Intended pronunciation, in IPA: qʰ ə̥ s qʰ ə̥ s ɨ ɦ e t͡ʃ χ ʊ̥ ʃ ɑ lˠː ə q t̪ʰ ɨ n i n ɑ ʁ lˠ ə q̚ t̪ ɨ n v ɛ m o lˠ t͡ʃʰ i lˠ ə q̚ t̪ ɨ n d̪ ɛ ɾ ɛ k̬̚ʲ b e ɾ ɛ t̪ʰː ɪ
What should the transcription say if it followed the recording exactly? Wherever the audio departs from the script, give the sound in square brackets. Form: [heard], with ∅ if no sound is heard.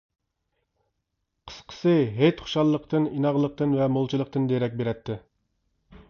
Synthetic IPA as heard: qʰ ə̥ s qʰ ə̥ s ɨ ɦ e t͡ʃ χ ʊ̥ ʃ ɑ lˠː ə q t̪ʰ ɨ n i n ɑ ʁ lˠ ə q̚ t̪ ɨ n v ɛ m o lˠ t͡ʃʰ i lˠ ə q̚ t̪ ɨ n d̪ [e] ɾ ɛ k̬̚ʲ b e ɾ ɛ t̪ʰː ɪ